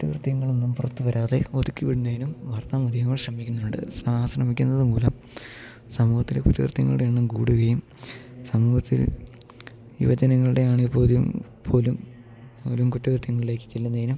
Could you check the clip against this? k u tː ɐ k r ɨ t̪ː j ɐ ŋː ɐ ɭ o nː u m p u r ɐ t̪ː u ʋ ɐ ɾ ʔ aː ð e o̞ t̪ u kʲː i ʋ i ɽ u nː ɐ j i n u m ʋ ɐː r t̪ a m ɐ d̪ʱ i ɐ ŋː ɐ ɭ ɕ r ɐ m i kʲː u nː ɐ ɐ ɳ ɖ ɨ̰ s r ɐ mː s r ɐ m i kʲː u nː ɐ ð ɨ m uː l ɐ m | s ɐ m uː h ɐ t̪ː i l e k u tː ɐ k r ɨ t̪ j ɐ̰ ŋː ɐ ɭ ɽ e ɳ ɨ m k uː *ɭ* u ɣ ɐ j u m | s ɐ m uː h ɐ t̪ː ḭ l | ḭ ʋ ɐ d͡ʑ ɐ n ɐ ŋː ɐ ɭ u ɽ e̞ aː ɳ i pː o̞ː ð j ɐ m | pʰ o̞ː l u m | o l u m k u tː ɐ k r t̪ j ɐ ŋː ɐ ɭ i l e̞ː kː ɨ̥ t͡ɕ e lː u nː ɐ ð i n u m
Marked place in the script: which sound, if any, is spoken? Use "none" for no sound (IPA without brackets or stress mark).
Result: ɽ